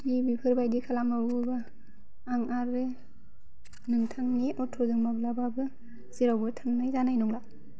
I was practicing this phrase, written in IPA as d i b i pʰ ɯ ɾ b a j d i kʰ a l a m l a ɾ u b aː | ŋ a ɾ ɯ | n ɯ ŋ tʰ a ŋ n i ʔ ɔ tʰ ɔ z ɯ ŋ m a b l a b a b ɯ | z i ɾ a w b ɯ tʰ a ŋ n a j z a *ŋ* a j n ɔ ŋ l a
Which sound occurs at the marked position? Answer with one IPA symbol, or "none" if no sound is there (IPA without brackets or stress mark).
n